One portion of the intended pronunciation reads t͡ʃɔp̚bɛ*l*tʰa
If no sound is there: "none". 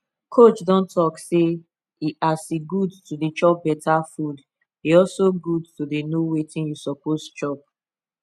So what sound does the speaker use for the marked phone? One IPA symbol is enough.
none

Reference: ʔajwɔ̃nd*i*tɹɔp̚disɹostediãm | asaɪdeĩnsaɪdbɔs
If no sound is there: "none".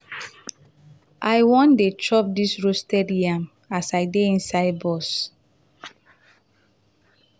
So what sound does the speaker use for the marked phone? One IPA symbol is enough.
e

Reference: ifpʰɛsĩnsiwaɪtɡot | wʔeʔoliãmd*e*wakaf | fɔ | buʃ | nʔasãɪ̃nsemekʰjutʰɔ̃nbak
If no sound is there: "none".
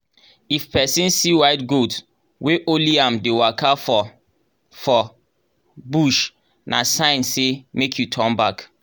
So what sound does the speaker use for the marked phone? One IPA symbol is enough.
e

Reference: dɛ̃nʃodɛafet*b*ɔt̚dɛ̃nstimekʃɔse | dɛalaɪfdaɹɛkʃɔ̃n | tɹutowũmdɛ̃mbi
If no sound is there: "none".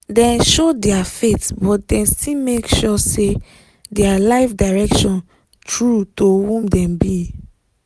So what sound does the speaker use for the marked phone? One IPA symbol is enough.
b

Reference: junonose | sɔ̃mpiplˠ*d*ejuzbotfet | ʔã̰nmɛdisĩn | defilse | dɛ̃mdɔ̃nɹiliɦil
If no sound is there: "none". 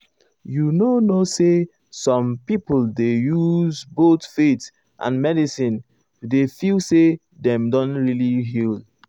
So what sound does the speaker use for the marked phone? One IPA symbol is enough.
d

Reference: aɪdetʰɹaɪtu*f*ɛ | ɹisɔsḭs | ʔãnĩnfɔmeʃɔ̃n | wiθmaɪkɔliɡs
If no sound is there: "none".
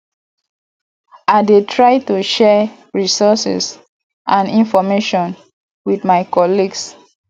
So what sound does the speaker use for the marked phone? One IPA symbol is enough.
ʃ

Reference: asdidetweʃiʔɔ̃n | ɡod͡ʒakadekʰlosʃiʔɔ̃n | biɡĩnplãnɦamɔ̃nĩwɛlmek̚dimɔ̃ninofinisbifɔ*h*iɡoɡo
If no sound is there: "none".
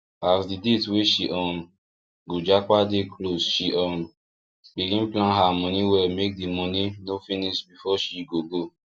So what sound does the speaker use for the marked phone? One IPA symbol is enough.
ʃ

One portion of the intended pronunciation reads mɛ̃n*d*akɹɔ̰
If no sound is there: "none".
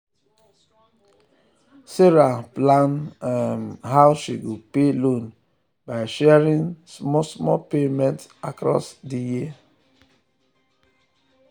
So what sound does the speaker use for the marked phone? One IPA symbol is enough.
t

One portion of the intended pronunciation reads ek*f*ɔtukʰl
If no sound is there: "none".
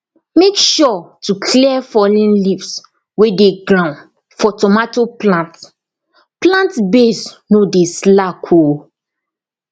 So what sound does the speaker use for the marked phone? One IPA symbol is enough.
ʃ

